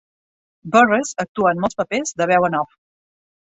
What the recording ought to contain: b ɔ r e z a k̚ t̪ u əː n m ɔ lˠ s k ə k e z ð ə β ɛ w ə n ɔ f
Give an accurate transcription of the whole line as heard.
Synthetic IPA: b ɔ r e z ə k̚ t̪ u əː n m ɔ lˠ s p ə p e z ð ə β ɛ w ə n ɔ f